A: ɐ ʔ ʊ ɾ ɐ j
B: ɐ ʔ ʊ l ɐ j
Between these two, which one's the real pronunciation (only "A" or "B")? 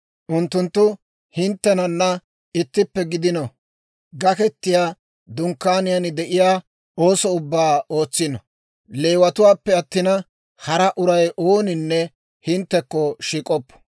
A